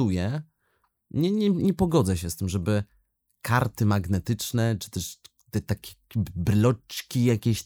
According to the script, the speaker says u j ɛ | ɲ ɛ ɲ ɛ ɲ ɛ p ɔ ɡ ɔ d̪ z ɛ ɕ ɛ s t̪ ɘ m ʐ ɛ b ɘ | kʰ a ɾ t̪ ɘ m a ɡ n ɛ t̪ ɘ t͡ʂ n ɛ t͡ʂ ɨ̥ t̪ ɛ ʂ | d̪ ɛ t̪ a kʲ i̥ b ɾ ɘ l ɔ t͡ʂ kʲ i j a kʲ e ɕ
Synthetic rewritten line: u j ɛ | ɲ ɛ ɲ ɛ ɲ ɛ p ɔ ɡ ɔ d̪ z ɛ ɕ ɛ s t̪ ɘ m ʐ ɛ b ɘ | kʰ a ɾ t̪ ɘ m a ɡ n ɛ t̪ ɘ t͡ʂ n ɛ t͡ʂ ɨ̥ t̪ ɛ ʂ | t̪ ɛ t̪ a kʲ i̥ b ɾ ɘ l ɔ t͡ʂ kʲ i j a kʲ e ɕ